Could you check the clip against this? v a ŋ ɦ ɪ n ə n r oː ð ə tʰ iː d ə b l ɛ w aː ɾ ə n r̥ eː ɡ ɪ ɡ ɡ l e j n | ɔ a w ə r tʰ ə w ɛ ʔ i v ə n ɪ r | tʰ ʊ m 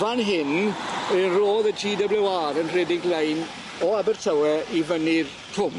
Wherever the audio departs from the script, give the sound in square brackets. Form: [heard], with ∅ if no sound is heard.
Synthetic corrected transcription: v a [n] ɦ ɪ n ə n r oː ð ə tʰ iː d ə b l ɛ w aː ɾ ə n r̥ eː [d] ɪ [ŋ] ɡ l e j n | ɔ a [b] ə r tʰ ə w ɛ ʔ i v ə n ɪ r | tʰ ʊ m